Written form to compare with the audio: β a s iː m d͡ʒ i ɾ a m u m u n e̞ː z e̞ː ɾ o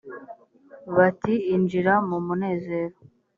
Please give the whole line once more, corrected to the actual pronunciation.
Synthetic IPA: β a t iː n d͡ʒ i ɾ a m u m u n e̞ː z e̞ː ɾ o